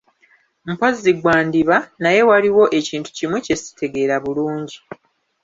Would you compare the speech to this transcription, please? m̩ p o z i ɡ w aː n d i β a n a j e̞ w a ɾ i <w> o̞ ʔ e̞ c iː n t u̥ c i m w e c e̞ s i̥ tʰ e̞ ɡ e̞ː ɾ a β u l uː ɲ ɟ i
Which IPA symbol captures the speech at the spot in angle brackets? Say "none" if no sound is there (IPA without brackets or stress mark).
w